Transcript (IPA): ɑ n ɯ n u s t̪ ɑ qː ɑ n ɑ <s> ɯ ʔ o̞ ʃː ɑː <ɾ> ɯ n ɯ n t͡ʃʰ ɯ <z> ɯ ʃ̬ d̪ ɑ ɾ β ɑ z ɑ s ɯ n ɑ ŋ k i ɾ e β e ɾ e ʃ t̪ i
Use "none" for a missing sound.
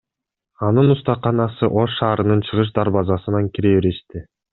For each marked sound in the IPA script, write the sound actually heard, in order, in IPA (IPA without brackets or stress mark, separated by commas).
s, ɾ, ʁ